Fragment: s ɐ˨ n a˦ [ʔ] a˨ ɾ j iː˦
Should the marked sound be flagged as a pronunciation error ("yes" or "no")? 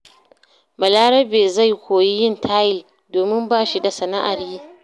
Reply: no